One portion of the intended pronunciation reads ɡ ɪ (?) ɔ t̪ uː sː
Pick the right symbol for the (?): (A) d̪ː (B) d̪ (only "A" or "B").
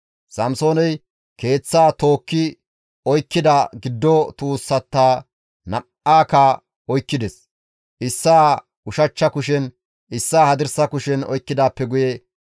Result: A